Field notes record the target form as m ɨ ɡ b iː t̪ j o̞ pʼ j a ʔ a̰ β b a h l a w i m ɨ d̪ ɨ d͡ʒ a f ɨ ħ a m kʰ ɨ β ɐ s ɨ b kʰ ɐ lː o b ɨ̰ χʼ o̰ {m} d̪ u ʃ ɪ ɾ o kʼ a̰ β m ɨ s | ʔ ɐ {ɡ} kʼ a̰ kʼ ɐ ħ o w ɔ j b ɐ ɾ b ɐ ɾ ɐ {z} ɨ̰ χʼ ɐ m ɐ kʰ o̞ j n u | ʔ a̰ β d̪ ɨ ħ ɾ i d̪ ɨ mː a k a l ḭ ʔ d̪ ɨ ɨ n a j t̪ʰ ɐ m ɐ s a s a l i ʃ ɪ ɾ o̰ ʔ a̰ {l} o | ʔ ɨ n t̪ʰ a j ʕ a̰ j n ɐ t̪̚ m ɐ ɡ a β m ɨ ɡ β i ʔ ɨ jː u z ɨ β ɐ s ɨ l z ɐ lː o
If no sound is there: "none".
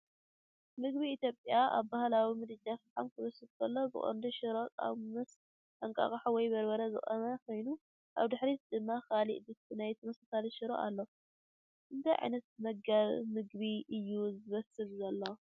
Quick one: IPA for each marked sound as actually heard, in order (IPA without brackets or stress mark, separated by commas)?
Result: n, ŋ, z, lː